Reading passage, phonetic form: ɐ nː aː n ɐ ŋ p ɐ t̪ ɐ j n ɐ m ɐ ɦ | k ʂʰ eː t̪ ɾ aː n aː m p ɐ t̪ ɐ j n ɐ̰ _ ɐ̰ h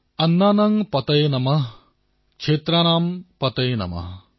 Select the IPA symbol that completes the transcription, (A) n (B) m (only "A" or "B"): B